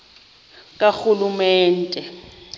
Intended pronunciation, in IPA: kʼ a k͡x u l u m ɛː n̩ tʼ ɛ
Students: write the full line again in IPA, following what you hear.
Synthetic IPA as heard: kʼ a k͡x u l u m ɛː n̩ tʼ ɛ